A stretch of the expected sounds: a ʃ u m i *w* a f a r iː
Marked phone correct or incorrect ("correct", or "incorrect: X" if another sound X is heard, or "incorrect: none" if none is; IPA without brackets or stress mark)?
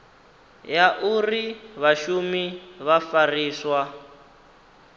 incorrect: β